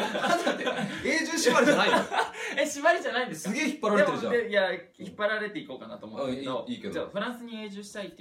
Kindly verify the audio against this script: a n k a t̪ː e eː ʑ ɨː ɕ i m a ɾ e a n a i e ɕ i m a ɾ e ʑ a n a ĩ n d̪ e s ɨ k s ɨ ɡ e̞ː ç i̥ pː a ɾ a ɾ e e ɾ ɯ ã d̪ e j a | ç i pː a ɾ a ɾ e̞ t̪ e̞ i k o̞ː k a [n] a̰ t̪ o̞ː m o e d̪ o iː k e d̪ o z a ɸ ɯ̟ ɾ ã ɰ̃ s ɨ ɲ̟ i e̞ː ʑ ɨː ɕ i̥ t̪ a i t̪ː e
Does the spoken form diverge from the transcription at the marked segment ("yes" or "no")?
no